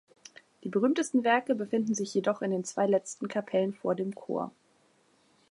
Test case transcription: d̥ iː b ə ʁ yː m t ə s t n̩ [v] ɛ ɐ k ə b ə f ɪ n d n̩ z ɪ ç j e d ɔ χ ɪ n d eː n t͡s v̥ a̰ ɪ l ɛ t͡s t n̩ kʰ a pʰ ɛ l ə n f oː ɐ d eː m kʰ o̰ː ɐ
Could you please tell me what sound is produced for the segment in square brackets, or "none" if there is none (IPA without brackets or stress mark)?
v